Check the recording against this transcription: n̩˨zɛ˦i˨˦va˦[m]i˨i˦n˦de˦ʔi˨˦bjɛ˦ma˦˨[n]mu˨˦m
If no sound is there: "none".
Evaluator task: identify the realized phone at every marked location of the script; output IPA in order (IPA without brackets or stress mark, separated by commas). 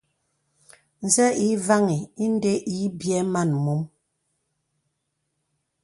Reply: ŋ, n